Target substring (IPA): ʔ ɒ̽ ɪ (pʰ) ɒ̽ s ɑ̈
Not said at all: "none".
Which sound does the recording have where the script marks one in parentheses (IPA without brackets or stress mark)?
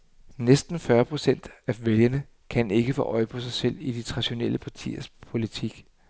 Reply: pʰ